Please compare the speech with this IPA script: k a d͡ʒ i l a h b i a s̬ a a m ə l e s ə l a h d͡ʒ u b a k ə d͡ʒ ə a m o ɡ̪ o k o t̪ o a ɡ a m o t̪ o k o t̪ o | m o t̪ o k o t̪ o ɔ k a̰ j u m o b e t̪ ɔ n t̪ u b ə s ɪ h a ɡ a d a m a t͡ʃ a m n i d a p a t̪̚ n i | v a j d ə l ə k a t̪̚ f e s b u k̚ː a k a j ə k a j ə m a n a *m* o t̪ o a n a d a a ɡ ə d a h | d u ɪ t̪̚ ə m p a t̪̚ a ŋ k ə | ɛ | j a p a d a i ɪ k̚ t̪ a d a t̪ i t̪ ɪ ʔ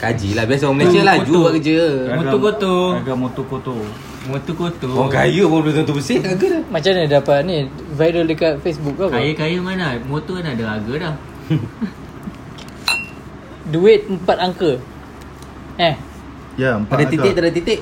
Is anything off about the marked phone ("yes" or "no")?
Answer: no